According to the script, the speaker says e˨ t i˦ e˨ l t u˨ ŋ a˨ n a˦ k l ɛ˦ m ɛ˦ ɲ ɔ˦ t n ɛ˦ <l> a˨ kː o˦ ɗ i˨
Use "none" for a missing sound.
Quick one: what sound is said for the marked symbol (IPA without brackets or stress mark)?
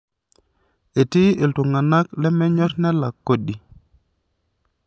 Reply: l